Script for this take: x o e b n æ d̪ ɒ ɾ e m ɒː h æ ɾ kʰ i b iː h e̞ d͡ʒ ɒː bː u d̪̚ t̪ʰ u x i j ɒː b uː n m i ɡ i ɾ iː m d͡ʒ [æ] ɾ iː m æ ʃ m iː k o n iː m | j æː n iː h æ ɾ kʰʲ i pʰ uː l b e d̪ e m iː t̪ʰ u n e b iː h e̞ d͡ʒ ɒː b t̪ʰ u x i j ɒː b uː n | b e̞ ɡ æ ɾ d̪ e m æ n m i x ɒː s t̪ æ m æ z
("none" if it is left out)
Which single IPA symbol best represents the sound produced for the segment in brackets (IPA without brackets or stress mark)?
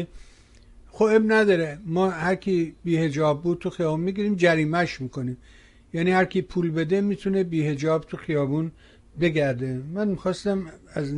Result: æ